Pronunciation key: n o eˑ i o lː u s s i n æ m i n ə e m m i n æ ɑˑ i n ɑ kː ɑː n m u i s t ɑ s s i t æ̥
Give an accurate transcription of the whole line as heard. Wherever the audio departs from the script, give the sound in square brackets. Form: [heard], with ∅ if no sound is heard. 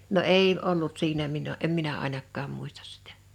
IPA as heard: n o eˑ i o lː u [t] s [iː] n æ m i n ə e m m i n æ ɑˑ i n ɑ kː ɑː [m] m u i s t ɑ s s i t æ̥